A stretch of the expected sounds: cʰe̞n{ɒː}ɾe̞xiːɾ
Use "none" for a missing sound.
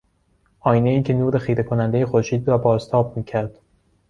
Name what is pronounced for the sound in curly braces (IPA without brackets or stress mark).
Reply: uː